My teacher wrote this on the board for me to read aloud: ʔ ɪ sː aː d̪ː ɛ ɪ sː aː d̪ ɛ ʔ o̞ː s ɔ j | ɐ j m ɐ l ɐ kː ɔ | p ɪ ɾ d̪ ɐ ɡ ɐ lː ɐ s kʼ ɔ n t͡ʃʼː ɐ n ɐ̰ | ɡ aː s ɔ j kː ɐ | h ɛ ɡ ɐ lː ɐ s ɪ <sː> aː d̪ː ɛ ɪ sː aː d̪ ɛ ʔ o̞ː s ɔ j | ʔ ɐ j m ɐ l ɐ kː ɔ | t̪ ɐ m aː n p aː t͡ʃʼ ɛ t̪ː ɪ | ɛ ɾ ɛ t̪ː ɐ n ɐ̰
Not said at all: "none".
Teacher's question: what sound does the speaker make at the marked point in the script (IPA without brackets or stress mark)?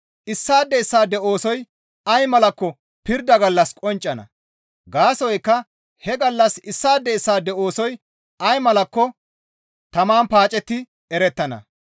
sː